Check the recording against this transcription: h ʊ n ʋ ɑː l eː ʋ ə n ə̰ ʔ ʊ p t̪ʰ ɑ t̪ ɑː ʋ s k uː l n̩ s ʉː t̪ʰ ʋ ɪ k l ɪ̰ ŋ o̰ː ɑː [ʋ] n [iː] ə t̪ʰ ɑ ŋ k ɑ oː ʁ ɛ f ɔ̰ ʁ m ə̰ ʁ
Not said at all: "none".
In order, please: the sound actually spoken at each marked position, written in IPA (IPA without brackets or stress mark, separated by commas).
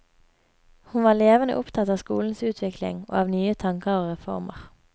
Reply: ʋ, yː